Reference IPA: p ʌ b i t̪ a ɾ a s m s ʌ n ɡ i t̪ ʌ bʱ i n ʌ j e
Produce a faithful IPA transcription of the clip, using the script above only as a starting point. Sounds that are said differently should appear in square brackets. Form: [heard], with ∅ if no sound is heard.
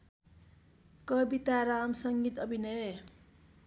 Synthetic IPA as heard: [k] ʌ b i t̪ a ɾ a [∅] m s ʌ [ŋ] ɡ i t̪ ʌ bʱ i n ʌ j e

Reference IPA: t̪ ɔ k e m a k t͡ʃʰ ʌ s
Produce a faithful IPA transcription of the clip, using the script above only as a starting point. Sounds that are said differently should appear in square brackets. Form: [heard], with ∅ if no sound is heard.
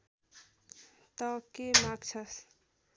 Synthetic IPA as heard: t̪ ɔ k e m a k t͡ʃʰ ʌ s

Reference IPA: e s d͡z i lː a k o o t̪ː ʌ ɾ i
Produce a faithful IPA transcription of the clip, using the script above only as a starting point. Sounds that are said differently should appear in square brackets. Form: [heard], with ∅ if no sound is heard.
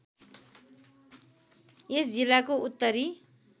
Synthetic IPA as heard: e s d͡z i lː a k o [u] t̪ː ʌ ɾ i

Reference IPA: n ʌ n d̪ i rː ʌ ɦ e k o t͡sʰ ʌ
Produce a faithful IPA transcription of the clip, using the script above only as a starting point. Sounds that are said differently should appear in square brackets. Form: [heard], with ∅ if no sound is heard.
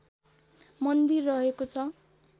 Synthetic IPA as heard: [m] ʌ n d̪ i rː ʌ ɦ e k o t͡sʰ ʌ

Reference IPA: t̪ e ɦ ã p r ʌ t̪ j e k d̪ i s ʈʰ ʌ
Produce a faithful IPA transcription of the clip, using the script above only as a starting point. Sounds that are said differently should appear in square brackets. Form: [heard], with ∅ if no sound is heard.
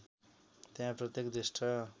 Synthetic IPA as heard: t̪ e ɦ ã p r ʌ t̪ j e k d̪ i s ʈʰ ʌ

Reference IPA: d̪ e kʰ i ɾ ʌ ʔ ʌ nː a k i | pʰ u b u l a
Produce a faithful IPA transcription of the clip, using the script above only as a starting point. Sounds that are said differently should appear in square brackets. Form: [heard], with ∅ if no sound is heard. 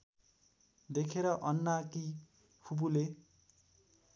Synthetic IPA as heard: d̪ e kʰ [e] ɾ ʌ ʔ ʌ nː a k i | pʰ u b u l [e]

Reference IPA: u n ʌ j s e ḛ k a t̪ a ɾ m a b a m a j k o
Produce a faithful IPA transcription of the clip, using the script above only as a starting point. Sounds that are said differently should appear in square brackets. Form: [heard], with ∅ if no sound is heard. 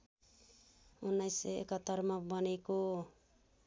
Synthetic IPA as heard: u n [a] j s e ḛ k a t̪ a ɾ m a b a [n] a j k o

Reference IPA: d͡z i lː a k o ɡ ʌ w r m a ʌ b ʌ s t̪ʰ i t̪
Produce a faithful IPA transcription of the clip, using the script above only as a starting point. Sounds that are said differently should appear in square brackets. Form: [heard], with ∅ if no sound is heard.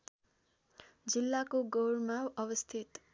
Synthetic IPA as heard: d͡z i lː a k o ɡ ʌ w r m a ʌ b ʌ s t̪ʰ i t̪

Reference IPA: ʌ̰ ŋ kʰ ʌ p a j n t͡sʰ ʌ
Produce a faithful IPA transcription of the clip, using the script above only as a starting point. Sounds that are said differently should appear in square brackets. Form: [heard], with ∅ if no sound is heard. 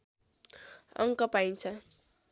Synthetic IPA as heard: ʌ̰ ŋ [k] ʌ p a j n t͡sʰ ʌ

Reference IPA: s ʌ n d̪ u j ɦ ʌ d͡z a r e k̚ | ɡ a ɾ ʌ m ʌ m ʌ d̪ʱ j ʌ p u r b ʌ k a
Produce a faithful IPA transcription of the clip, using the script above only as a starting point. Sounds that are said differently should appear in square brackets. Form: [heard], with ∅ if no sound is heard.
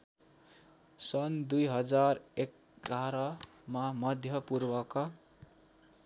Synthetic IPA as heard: s ʌ n d̪ u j ɦ ʌ d͡z a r e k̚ | ɡ a ɾ ʌ m [a] m ʌ d̪ʱ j ʌ p u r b ʌ k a

